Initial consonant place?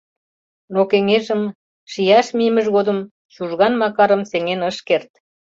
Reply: alveolar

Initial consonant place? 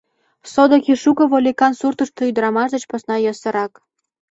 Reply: alveolar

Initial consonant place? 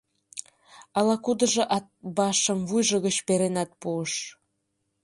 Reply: alveolar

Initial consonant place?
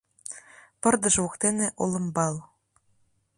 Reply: labial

